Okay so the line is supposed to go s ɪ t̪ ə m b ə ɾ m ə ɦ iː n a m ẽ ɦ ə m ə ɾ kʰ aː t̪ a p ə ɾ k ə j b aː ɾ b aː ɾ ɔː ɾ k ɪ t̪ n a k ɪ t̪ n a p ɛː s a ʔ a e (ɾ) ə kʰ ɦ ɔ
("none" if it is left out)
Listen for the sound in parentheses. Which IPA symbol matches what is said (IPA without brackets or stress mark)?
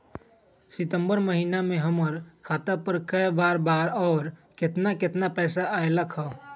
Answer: l